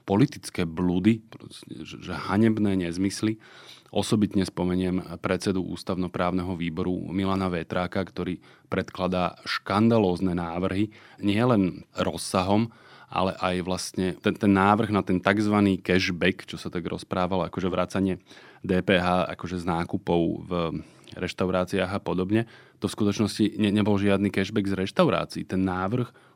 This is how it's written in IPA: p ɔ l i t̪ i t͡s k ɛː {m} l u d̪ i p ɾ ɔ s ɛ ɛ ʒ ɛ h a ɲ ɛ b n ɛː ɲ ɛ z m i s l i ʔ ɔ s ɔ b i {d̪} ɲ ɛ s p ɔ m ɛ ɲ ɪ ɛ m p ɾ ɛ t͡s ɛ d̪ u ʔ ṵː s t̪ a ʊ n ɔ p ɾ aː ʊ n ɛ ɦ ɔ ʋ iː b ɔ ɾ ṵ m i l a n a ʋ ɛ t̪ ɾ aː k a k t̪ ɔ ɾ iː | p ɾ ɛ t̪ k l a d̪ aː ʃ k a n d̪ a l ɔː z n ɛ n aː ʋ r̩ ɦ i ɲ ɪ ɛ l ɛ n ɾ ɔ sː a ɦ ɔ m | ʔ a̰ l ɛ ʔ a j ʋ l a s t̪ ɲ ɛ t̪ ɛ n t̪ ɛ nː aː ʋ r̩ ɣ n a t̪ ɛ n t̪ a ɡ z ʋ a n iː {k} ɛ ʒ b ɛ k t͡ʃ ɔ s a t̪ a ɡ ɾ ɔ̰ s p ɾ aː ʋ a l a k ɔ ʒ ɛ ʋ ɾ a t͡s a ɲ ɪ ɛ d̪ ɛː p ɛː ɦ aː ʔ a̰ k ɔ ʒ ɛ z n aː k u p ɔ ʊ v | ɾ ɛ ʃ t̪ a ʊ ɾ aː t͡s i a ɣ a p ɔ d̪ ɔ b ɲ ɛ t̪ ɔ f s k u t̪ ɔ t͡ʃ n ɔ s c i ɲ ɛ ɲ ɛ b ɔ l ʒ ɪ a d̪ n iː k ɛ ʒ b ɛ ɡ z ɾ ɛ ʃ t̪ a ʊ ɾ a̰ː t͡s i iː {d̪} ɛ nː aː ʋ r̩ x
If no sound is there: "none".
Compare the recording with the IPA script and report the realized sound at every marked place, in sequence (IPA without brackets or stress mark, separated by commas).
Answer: b, t̪, k, t̪